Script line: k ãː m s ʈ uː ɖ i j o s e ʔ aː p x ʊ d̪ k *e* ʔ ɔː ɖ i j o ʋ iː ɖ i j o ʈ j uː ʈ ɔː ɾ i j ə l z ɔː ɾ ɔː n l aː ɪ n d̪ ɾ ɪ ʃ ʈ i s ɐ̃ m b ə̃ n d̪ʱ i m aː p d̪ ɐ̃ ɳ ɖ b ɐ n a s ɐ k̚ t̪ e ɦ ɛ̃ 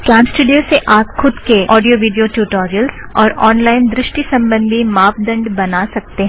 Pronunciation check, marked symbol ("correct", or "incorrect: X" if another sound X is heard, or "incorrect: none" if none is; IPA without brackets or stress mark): correct